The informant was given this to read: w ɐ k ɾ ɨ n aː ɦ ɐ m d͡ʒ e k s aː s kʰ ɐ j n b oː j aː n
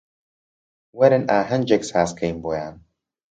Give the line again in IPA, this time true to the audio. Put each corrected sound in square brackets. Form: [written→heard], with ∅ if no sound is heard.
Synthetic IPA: w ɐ [k→∅] ɾ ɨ n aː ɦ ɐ [m→n] d͡ʒ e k s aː s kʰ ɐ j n b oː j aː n